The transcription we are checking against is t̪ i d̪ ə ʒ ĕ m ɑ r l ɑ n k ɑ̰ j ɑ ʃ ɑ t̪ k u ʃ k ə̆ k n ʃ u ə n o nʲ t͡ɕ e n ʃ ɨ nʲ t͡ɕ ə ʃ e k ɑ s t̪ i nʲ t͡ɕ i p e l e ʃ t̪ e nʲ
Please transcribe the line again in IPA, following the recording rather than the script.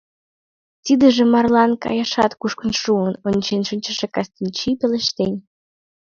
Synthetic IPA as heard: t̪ i d̪ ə ʒ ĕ m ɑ r l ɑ n k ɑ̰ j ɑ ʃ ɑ t̪ k u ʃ k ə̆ n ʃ u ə n o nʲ t͡ɕ e n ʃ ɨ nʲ t͡ɕ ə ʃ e k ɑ s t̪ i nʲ t͡ɕ i p e l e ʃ t̪ e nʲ